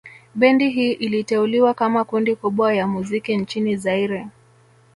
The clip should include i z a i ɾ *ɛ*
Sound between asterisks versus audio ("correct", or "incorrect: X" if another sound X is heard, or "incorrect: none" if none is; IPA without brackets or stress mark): correct